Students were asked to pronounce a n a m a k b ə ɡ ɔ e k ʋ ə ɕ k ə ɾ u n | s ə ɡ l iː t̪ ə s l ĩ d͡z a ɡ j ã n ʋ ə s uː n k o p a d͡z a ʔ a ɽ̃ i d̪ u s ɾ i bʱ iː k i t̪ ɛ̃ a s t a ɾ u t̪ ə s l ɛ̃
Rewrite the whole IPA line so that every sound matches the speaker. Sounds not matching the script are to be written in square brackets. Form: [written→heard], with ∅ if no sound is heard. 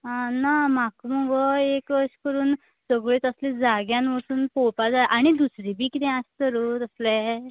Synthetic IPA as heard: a n a m a k [b→m] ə ɡ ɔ e k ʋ ə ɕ k ə ɾ [u→uː] n | s ə ɡ [l→ɭ] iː t̪ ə s l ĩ d͡z a ɡ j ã n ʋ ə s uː n [k→p] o p a d͡z a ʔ a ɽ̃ i d̪ u s ɾ i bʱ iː k i t̪ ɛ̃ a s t [a→ə] ɾ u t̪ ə s l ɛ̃